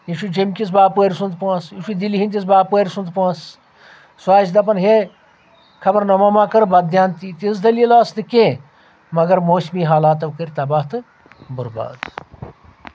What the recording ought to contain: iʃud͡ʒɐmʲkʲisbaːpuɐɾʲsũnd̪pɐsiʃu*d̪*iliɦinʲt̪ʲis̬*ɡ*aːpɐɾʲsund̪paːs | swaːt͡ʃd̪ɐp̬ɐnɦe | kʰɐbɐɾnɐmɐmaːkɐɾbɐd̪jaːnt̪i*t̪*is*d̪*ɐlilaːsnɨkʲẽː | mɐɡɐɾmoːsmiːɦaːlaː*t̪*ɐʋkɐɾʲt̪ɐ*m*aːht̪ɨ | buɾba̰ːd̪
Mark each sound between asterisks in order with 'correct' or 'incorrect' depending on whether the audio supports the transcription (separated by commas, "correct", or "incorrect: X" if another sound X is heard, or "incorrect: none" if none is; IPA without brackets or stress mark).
correct, incorrect: b, correct, correct, correct, incorrect: b